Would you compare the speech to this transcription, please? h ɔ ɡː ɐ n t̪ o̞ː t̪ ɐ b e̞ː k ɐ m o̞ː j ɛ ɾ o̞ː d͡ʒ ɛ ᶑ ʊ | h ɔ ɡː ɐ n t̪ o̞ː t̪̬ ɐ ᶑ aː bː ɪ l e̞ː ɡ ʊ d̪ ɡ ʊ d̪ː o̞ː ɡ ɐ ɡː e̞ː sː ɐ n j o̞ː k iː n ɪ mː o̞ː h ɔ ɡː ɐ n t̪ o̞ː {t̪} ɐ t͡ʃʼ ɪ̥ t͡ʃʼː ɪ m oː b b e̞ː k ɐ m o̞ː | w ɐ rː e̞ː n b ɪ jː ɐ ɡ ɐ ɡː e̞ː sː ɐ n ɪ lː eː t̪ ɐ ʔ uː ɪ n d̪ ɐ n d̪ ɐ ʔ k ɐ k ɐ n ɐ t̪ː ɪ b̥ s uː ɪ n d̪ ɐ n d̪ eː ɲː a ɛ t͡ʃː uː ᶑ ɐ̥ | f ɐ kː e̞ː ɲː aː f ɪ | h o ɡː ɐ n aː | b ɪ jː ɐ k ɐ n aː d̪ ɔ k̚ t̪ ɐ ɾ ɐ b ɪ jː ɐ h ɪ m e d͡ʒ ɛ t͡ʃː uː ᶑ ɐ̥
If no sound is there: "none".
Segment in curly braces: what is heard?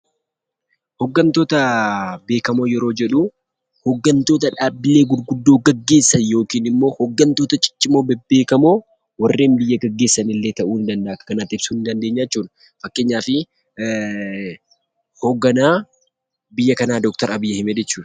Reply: t̪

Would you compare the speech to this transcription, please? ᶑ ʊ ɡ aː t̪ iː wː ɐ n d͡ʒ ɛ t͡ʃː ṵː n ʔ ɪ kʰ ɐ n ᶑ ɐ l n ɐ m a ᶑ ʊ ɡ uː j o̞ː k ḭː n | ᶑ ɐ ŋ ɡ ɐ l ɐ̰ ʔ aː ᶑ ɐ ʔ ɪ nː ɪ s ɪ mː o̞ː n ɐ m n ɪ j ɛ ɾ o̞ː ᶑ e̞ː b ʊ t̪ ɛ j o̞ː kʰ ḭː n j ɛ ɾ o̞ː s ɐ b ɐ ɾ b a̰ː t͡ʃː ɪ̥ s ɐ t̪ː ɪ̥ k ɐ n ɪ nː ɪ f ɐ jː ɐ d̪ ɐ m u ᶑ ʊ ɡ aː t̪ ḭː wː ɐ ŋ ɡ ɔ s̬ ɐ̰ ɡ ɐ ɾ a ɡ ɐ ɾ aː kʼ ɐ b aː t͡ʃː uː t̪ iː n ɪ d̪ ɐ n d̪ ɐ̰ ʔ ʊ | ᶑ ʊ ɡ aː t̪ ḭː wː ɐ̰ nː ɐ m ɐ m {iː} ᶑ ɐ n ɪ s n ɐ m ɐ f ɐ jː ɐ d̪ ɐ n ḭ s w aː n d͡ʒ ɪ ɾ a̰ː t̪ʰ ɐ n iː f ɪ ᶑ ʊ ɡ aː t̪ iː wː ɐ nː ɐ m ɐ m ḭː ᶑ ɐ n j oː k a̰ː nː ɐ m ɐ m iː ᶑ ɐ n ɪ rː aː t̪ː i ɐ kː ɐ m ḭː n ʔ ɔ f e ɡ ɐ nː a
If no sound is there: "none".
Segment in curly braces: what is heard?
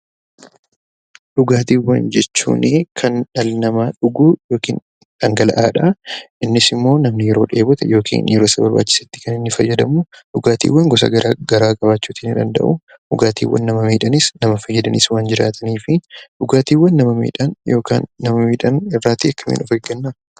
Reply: iː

